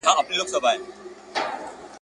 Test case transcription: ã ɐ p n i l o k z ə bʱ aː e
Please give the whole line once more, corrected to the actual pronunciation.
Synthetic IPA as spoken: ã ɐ p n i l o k s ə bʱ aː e